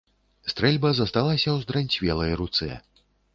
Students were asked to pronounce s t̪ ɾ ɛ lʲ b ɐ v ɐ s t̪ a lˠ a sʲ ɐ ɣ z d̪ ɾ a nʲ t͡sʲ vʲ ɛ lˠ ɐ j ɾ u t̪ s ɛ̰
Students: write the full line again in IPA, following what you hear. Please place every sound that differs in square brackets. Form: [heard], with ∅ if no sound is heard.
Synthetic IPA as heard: s t̪ ɾ ɛ lʲ b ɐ [z] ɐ s t̪ a lˠ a sʲ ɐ [w] z d̪ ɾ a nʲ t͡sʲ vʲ ɛ lˠ ɐ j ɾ u t̪ s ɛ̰